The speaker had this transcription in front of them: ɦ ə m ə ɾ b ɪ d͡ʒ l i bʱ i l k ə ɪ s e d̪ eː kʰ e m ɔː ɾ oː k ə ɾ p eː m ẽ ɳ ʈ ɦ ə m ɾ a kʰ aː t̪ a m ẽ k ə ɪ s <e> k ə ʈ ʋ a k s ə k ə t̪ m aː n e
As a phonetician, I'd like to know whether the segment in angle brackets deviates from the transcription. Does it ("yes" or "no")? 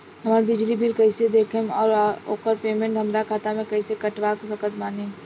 no